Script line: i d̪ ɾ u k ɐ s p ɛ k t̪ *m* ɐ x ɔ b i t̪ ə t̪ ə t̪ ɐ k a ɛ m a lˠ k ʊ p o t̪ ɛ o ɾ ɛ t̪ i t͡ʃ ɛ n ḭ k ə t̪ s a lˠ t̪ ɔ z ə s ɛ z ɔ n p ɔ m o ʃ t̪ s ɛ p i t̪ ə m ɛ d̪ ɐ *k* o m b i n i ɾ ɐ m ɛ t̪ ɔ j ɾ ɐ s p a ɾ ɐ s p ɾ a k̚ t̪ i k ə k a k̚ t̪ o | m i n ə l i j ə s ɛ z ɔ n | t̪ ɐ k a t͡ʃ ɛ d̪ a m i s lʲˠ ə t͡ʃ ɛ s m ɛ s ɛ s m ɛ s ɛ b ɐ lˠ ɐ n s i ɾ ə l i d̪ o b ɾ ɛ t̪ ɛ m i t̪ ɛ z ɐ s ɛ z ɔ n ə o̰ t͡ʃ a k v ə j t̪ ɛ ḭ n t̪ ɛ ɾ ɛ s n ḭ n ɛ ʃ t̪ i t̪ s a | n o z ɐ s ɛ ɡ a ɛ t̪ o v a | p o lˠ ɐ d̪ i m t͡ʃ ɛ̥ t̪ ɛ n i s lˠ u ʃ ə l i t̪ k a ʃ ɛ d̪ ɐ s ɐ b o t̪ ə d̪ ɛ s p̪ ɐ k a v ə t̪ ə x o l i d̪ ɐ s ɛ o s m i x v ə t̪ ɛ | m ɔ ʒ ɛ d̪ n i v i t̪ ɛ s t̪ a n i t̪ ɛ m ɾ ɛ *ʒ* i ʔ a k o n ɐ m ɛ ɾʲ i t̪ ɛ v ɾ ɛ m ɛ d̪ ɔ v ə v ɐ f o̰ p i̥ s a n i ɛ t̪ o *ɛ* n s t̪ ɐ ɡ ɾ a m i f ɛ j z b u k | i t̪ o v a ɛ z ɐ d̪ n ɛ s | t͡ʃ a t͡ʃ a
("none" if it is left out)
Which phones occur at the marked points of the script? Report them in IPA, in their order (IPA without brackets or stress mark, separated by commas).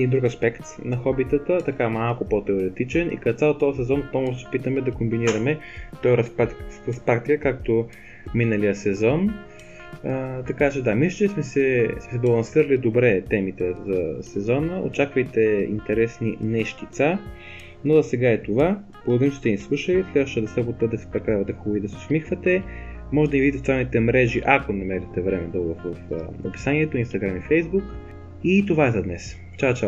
n, k, ʒ, i